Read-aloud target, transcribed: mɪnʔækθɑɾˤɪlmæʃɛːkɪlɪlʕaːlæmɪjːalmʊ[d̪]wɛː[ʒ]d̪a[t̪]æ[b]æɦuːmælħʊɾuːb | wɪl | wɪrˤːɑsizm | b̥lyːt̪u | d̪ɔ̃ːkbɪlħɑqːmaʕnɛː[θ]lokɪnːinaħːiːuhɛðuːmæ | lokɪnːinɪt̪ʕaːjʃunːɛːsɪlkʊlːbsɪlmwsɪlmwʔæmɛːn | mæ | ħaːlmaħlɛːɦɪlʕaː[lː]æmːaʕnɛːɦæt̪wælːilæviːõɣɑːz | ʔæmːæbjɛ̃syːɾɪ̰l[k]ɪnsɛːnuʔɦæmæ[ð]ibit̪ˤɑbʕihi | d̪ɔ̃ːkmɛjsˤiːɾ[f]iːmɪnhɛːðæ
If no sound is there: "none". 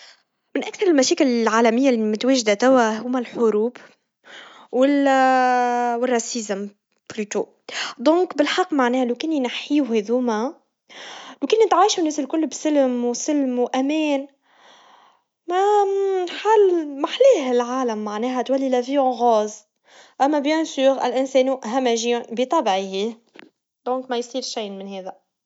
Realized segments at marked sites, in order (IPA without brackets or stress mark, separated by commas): t̪, ʒ, t̪, w, h, l, ʔ, ʒ, ʃ